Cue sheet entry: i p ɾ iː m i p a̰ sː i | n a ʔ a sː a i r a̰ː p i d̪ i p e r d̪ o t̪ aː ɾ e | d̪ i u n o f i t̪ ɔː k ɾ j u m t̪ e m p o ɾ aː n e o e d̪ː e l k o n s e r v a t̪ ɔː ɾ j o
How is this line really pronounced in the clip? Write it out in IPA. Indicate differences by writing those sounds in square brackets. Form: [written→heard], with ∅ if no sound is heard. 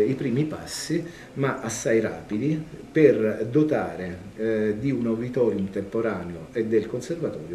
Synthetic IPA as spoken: i p ɾ iː m i p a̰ sː i | [n→m] a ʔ a sː a [i→j] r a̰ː p i d̪ i p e r d̪ o t̪ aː ɾ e | d̪ i u n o [f→v] i t̪ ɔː [k→∅] ɾ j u m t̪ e m p o ɾ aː n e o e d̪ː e l k o n s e r v a t̪ ɔː ɾ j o

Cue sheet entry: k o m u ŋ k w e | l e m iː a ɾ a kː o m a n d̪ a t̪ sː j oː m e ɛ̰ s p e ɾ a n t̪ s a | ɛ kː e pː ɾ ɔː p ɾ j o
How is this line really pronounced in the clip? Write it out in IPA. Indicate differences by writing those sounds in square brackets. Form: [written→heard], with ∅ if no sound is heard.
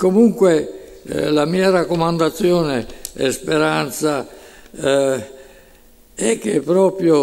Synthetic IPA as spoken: k o m u ŋ k w e | l [e→a] m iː a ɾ a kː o m a n d̪ a t̪ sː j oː [m→n] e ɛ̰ s p e ɾ a n t̪ s a | ɛ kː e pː ɾ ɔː p ɾ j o

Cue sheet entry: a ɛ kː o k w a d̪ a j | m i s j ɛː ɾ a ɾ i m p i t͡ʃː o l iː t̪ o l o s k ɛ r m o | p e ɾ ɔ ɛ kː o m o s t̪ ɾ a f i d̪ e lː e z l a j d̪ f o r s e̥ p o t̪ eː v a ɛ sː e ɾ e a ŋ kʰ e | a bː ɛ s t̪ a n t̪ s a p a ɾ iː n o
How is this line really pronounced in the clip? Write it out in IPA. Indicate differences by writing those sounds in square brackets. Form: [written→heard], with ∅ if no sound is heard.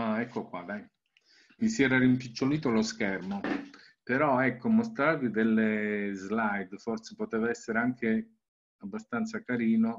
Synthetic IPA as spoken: a ɛ kː o k w a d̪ a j | m i s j ɛː ɾ a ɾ i m p i t͡ʃː o l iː t̪ o l o s k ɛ r m o | p e ɾ ɔ ɛ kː o m o s t̪ ɾ a [f→v] i d̪ e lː e z l a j d̪ f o r s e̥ p o t̪ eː v a ɛ sː e ɾ e a ŋ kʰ e | a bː [ɛ→a] s t̪ a n t̪ s a [p→k] a ɾ iː n o

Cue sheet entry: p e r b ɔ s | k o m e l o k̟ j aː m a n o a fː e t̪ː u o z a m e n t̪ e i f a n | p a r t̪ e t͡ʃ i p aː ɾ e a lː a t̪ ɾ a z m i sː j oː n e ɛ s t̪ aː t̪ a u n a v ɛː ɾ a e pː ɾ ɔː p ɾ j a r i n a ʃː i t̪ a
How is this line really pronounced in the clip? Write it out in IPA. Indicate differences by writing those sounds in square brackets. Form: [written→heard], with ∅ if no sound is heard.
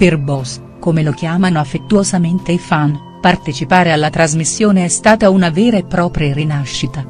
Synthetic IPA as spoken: p e r b ɔ s | k o m e l o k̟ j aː m a n o a fː e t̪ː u o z a m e n t̪ e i f a n | p a r t̪ e t͡ʃ i p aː ɾ e a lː a t̪ ɾ a z m i sː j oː n e ɛ s t̪ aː t̪ a u n a v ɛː ɾ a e pː ɾ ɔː p ɾ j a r i n a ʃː i t̪ a

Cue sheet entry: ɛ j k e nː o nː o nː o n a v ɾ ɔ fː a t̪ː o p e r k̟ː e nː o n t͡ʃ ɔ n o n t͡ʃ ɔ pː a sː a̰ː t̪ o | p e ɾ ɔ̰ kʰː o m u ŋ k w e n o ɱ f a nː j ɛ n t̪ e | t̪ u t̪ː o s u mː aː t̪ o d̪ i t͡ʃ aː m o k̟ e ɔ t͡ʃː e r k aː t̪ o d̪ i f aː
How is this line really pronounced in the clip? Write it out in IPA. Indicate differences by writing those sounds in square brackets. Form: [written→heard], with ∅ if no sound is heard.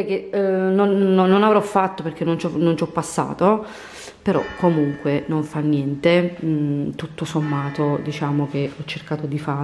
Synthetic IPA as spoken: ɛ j k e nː o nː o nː o n a v ɾ ɔ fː a t̪ː o p e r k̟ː e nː o n t͡ʃ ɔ n o n t͡ʃ ɔ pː a sː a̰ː t̪ o | p e ɾ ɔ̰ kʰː o m u ŋ k w e n o ɱ f a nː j ɛ n t̪ e | t̪ u t̪ː o s [u→o] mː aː t̪ o d̪ i t͡ʃ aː m o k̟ e ɔ t͡ʃː e r k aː t̪ o d̪ i f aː

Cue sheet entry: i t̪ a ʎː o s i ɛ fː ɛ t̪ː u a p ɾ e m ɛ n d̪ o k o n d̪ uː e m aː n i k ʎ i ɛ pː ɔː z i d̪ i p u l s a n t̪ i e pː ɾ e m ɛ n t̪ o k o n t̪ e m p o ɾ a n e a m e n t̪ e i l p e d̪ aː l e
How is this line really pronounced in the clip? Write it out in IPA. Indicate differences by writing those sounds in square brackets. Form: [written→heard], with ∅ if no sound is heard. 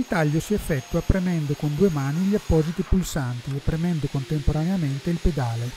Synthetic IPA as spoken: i t̪ a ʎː o s i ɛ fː ɛ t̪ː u a p ɾ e m ɛ n d̪ o k o n d̪ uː e m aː n i [k→∅] ʎ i [ɛ→a] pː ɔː z i [d̪→t̪] i p u l s a n t̪ i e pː ɾ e m ɛ n [t̪→d̪] o k o n t̪ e m p o ɾ a n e a m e n t̪ e i l p e d̪ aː l e

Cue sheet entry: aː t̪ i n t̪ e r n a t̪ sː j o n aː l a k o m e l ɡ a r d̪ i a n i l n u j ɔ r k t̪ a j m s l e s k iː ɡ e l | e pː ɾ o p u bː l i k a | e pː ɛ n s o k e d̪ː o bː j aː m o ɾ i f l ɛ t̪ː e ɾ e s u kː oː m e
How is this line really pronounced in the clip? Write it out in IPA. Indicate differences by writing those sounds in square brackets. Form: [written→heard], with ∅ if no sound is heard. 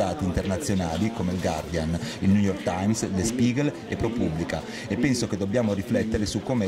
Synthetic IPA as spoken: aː t̪ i n t̪ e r n a t̪ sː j o n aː l [a→i] k o m e l ɡ a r d̪ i a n i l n u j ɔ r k t̪ a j m s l e s [k→p] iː ɡ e l | e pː ɾ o p u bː l i k a | e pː ɛ n s o k e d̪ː o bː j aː m o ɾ i f l ɛ t̪ː e ɾ e s u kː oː m e

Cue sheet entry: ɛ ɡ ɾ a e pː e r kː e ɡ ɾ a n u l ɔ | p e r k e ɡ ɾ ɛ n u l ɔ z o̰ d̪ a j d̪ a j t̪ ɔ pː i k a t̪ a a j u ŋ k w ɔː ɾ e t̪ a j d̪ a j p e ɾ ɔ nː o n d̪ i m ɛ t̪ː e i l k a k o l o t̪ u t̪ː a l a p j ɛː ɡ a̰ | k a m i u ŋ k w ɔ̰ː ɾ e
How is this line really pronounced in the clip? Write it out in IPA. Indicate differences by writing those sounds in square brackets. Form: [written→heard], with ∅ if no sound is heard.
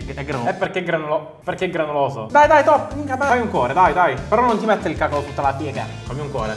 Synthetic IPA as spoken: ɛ ɡ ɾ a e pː e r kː e ɡ ɾ a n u l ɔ | p e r k e ɡ ɾ [ɛ→a] n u l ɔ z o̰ d̪ a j d̪ a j t̪ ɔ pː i k a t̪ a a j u ŋ k w ɔː ɾ e [t̪→d̪] a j d̪ a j p e ɾ ɔ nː o n [d̪→t̪] i m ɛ t̪ː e i l k a k o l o t̪ u t̪ː a l a p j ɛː ɡ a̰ | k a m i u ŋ k w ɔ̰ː ɾ e

